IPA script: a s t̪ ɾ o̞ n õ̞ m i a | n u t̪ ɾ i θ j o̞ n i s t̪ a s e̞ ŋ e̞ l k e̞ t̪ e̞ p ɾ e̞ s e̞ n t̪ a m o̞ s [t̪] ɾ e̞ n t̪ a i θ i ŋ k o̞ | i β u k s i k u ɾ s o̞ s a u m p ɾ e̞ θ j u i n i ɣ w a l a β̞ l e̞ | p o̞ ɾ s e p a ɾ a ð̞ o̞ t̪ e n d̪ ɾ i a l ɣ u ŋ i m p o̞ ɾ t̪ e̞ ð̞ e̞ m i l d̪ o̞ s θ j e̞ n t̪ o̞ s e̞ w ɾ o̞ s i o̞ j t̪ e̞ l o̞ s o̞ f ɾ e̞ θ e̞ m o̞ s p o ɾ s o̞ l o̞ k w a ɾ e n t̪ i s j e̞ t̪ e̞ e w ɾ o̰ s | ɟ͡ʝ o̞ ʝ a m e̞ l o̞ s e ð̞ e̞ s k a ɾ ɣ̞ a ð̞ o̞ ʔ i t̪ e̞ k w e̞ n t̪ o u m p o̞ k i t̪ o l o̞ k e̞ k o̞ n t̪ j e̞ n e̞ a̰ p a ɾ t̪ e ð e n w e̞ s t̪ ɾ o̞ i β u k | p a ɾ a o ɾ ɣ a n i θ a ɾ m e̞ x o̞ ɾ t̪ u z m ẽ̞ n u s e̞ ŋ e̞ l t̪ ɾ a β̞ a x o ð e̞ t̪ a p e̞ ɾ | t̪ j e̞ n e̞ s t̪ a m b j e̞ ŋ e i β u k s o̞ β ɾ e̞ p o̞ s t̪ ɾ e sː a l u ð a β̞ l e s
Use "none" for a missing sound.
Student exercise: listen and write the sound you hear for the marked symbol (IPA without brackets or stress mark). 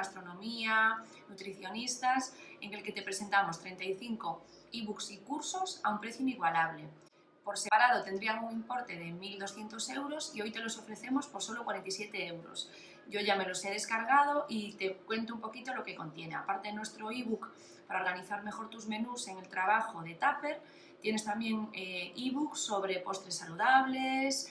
t̪